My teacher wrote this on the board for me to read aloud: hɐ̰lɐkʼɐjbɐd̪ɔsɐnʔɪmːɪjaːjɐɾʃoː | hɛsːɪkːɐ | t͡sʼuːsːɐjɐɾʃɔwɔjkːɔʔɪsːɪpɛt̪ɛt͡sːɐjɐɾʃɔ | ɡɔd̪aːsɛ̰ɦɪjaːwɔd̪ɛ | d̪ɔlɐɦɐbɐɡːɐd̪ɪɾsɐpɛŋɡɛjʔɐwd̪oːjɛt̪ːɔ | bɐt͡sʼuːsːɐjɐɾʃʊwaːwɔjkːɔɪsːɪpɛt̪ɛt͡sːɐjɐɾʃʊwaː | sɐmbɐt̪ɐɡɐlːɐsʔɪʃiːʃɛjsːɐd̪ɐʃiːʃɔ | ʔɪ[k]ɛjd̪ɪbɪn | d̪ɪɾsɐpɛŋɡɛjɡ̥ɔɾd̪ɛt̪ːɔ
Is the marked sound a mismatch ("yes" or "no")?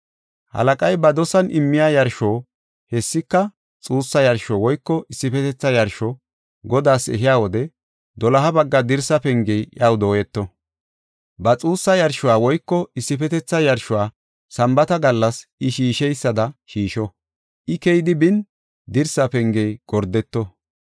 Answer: no